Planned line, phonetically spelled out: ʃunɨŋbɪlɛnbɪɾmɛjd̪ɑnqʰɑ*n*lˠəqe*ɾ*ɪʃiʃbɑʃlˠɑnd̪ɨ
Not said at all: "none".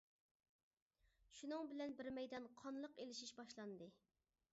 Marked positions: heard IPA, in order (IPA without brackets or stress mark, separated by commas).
n, l